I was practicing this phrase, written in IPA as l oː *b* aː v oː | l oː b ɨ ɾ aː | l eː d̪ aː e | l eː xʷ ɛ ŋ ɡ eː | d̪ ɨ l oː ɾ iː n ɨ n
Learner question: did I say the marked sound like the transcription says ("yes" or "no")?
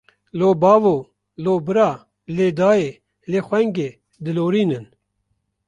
yes